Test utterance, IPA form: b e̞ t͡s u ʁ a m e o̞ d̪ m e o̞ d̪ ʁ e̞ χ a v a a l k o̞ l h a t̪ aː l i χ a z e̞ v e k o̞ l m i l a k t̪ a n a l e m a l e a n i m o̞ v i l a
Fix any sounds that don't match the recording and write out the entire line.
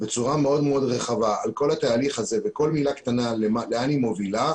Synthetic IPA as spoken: b e̞ t͡s u ʁ a m e o̞ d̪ m e o̞ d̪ ʁ e̞ χ a v a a l k o̞ l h a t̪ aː l i χ a z e̞ v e k o̞ l m i l a k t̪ a n a l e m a l e a n i m o̞ v i l a